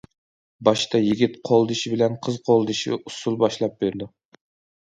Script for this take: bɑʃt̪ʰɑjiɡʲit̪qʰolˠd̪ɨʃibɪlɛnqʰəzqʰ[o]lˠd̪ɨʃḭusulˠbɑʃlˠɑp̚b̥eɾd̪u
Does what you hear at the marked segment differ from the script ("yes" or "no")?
no